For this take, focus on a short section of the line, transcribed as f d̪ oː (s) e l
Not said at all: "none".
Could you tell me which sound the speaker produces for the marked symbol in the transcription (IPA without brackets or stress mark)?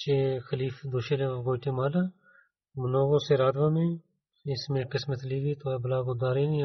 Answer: ʃ